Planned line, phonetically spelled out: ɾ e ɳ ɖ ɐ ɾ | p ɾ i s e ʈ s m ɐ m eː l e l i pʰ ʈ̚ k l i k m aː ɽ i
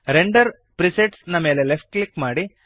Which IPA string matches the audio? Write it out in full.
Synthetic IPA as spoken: ɾ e ɳ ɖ ɐ ɾ | p ɾ i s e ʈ s n ɐ m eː l e l e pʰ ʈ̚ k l i k m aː ɽ i